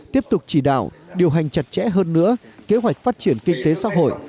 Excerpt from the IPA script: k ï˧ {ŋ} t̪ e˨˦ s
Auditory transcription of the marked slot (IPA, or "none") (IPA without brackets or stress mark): ŋ